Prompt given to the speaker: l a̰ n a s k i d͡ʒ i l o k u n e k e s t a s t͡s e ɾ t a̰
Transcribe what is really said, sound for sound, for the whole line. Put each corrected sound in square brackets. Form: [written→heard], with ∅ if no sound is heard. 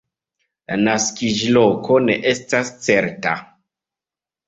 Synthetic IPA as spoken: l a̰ n a s k i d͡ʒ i l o k [u→o] n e [k→ʔ] e s t a s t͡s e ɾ t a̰